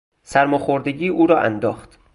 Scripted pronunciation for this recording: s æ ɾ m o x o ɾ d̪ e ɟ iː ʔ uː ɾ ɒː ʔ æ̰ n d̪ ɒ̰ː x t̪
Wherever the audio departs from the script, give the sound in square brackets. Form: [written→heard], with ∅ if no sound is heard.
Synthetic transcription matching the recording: s æ ɾ m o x o ɾ d̪ e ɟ iː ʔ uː ɾ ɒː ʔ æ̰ n d̪ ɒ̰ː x t̪